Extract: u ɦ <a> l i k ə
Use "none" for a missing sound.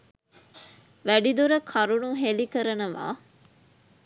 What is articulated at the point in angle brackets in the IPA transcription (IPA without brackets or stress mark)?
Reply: e